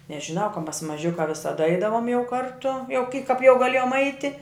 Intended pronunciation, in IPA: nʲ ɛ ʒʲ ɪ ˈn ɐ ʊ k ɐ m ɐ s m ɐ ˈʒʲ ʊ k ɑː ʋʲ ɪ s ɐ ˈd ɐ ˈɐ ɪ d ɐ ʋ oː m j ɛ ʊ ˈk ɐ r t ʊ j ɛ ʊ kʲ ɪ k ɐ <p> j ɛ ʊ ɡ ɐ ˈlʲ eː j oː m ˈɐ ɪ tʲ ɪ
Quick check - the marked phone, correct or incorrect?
correct